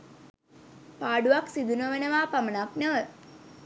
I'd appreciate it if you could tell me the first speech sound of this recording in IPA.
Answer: p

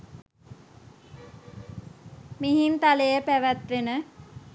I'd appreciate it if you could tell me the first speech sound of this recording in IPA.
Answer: m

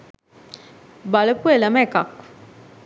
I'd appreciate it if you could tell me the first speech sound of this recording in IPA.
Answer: b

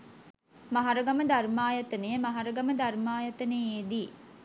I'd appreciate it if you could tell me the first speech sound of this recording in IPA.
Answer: m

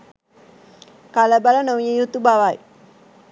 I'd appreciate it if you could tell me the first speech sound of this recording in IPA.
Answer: k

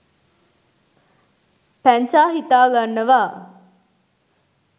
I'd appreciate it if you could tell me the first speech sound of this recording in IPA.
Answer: p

